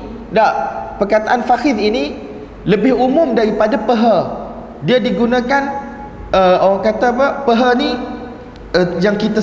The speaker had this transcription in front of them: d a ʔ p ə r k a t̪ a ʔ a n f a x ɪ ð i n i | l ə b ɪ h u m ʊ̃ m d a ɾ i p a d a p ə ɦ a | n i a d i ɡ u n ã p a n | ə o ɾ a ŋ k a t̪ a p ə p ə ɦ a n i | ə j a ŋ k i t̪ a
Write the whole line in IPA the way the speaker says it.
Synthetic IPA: d a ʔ p ə r k a t̪ a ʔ a n f a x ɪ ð i n i | l ə b ɪ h u m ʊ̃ m d a ɾ i p a d a p ə ɦ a | d i a d i ɡ u n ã k a n | ə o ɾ a ŋ k a t̪ a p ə p ə ɦ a n i | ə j a ŋ k i t̪ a